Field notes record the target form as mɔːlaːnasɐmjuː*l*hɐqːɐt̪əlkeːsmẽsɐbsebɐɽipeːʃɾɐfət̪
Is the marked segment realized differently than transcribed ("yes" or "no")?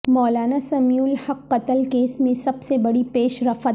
no